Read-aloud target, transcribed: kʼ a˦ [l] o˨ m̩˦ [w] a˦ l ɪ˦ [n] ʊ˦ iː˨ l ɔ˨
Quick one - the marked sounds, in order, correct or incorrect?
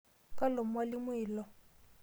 correct, correct, incorrect: m

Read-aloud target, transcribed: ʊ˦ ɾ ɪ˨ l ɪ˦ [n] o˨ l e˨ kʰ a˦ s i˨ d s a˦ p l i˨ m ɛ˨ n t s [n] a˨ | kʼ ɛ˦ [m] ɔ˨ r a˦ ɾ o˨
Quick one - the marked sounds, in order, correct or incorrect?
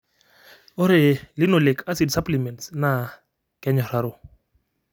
correct, correct, incorrect: ɲ

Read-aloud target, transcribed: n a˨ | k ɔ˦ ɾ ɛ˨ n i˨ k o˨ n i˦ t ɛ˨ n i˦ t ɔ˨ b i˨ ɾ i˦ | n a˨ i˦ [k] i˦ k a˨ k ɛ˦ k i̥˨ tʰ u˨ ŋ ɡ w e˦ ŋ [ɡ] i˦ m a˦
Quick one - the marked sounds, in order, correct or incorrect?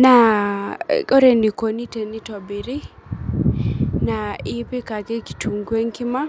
incorrect: p, incorrect: k

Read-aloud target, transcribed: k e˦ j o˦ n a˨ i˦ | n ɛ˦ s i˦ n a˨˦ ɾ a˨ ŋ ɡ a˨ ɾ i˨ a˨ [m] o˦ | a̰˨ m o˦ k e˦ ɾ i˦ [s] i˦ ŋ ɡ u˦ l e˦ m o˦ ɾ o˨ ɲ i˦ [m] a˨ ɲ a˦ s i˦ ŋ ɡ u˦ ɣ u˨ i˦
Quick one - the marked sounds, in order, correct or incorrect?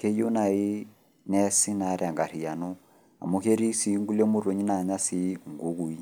incorrect: n, correct, incorrect: n

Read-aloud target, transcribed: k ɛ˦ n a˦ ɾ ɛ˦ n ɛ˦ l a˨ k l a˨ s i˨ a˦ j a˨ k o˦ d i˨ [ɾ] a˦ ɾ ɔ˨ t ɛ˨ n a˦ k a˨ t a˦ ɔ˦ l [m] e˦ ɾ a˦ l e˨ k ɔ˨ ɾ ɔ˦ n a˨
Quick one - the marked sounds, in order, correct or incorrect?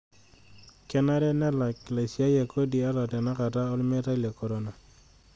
incorrect: none, correct

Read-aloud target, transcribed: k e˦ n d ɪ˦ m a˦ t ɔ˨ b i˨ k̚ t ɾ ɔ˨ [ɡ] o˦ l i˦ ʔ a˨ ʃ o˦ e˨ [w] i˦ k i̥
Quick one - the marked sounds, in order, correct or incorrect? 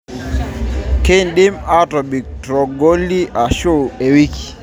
correct, correct

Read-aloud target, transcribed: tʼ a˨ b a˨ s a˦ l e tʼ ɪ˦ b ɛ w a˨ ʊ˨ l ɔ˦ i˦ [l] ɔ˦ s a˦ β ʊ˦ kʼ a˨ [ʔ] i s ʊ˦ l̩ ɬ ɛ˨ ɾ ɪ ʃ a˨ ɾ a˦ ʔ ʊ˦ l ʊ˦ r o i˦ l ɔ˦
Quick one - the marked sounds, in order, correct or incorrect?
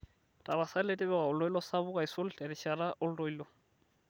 correct, incorrect: none

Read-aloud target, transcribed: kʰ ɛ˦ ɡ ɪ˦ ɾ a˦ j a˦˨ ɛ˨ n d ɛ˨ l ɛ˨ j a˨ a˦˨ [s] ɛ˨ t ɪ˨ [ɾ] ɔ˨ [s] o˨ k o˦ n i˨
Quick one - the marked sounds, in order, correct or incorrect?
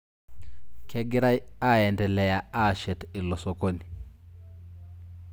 incorrect: ʃ, incorrect: l, correct

